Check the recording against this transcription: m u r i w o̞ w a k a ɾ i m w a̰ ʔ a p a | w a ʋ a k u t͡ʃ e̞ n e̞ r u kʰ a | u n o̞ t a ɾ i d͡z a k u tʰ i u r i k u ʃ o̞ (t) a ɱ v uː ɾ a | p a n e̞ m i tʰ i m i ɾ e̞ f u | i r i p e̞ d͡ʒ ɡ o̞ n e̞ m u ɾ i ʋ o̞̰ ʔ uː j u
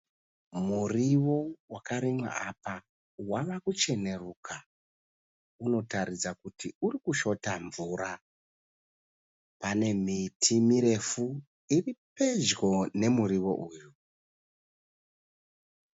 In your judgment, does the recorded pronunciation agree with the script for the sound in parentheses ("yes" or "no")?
yes